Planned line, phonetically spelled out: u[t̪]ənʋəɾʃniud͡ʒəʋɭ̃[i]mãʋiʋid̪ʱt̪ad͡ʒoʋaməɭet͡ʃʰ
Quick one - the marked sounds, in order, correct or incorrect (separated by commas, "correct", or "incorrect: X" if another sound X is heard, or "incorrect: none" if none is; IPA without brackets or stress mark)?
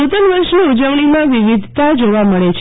correct, correct